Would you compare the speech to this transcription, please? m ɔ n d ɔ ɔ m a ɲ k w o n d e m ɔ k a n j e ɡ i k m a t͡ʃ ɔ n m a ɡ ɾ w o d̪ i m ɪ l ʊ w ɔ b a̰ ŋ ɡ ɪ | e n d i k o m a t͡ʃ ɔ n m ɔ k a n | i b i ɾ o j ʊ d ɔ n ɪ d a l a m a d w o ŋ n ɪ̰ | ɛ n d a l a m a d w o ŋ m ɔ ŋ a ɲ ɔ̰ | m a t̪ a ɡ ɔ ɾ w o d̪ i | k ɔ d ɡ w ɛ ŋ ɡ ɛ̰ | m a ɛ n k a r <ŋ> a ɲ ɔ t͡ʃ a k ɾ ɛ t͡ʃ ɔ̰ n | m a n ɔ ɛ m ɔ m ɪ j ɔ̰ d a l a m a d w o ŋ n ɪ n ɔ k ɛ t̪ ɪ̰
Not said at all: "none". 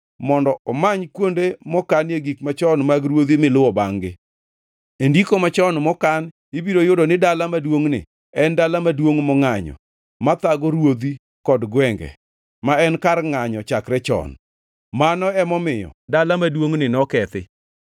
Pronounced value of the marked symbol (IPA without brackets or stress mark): ŋ